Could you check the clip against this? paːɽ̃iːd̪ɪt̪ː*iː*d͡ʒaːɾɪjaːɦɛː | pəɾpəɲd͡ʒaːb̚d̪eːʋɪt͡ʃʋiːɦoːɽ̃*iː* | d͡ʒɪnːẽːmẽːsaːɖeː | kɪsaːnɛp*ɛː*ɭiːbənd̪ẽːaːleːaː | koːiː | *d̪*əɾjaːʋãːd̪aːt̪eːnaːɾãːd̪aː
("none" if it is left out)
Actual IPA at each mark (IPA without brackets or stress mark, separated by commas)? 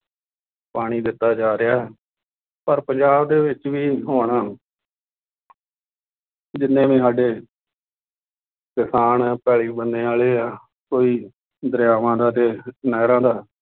aː, aː, ɛː, d̪